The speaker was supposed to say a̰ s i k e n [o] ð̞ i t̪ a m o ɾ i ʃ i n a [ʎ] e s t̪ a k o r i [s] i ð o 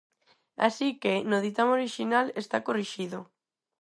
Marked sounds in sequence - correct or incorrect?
correct, incorrect: l, incorrect: ʃ

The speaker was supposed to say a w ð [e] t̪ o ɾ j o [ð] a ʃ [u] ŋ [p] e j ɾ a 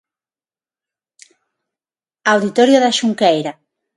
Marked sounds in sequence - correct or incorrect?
incorrect: i, correct, correct, incorrect: k

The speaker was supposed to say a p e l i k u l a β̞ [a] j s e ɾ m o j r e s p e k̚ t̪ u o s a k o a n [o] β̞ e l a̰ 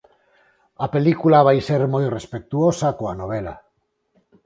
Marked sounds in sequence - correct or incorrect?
correct, correct

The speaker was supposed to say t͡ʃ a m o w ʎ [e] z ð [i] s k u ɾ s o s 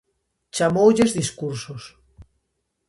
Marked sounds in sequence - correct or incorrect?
correct, correct

